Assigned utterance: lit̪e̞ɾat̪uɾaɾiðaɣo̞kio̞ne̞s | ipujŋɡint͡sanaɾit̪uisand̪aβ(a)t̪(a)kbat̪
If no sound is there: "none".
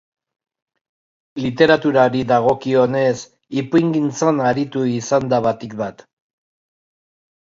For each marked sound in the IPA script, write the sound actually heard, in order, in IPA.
a, i

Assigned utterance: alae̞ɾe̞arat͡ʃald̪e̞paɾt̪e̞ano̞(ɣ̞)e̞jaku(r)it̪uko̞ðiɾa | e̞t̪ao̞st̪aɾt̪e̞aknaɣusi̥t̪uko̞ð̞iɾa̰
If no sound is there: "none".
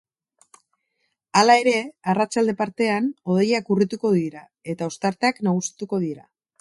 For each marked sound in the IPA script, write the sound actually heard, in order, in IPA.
ð̞, r

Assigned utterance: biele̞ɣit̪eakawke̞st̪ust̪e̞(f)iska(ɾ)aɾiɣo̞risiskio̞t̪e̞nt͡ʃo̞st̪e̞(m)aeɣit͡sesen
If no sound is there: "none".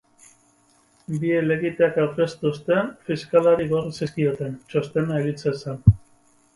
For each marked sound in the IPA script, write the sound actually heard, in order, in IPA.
f, l, n

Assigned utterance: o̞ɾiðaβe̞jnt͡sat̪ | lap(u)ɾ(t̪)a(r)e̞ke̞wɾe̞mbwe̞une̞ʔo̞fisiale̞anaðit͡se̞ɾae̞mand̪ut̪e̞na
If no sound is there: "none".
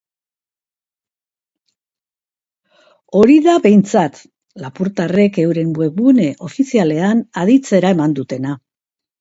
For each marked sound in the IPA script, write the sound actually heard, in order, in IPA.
u, t̪, r

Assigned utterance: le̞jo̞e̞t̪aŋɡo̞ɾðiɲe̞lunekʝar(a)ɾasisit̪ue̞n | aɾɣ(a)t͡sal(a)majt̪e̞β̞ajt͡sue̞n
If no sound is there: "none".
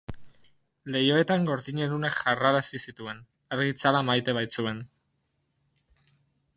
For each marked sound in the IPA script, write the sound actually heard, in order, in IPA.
a, i, a

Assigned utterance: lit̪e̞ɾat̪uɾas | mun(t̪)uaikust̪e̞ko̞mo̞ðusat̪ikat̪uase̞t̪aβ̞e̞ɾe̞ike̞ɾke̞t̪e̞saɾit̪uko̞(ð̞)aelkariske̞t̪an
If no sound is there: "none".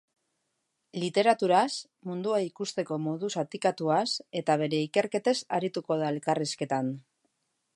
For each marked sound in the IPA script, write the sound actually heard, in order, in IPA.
d̪, ð̞

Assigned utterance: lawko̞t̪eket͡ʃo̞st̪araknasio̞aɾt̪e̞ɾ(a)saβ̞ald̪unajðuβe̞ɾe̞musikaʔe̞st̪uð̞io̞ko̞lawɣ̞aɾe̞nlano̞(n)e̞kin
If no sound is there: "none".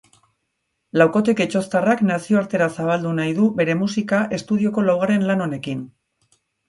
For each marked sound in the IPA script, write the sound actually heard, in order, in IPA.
a, n

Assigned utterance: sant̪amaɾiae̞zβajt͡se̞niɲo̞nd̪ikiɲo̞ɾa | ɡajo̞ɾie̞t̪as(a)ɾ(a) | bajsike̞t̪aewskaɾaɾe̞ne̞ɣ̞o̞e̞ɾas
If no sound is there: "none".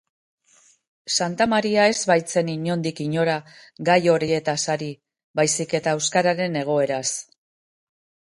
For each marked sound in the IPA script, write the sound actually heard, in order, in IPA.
a, i

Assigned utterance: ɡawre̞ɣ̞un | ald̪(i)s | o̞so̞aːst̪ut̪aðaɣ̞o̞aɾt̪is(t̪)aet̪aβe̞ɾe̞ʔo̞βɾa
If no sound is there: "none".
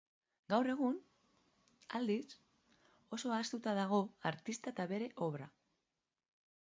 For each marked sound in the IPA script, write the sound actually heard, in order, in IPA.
i, t̪

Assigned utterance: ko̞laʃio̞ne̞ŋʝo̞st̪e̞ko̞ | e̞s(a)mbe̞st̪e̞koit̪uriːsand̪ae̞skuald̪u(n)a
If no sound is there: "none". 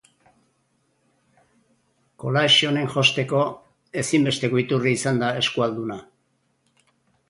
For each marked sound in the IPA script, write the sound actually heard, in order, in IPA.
i, n

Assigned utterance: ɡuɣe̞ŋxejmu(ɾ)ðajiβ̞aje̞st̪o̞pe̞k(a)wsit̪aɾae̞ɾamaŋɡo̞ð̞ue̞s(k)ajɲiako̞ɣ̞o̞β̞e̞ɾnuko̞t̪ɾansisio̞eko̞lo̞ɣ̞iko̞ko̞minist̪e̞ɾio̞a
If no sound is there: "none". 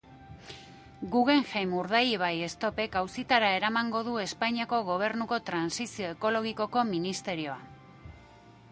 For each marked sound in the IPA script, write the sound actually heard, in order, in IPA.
ɾ, a, p

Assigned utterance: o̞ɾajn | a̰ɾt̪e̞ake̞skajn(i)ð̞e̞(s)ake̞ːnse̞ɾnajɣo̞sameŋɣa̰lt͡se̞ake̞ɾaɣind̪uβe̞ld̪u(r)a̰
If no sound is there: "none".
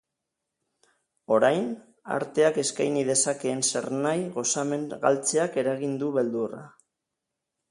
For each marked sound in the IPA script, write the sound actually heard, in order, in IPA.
i, s, r

